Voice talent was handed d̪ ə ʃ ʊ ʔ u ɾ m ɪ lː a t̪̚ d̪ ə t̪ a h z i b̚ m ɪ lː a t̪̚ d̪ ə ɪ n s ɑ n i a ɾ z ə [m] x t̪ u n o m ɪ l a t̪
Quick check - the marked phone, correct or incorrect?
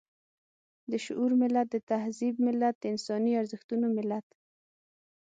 incorrect